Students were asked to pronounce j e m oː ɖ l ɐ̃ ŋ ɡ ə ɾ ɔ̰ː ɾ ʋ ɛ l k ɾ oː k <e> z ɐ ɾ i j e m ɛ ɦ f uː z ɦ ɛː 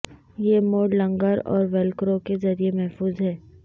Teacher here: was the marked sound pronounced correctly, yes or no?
yes